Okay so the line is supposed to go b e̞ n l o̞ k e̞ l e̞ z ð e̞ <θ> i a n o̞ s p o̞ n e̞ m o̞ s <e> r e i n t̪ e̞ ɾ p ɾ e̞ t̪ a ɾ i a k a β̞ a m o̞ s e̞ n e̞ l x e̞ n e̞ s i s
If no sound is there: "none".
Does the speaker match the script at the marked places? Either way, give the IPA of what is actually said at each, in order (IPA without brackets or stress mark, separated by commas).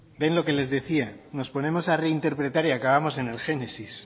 θ, a